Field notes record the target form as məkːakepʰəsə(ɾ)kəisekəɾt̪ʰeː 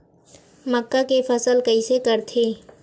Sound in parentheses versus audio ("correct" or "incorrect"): incorrect